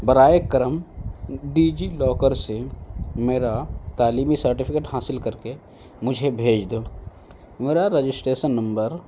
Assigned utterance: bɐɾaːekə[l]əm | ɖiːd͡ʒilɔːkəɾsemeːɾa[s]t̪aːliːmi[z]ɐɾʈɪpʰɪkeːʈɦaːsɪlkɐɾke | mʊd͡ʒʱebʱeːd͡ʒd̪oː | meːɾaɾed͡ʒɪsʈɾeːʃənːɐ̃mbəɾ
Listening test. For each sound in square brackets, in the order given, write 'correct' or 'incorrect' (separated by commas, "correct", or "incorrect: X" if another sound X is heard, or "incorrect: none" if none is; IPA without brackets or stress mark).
incorrect: ɾ, incorrect: none, incorrect: s